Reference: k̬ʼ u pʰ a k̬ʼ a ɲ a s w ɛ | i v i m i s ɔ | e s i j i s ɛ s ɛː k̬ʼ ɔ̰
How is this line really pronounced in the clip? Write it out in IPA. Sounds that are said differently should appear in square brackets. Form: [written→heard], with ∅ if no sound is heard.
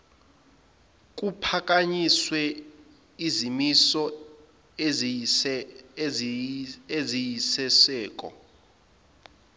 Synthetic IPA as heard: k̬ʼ u pʰ a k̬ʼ a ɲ [a→i] s w ɛ | i [v→z] i m i s ɔ | e [s→z] i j i s ɛ s ɛː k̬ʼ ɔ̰